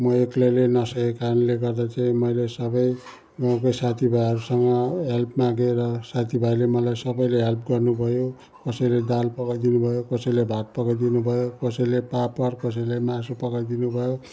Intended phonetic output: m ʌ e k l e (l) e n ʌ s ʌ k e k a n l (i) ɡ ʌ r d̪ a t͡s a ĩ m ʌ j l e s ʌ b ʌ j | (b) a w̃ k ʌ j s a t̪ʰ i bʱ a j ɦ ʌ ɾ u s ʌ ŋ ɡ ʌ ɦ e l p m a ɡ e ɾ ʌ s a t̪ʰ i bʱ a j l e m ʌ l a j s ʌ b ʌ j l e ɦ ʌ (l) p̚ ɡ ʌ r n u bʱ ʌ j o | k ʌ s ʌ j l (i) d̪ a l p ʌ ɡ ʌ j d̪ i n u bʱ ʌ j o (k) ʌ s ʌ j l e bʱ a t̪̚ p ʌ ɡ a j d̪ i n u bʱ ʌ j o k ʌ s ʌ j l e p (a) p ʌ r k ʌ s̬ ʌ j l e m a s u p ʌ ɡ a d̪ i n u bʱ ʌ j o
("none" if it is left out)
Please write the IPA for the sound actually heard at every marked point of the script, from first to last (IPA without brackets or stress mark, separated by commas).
l, e, ɡ, l, e, k, a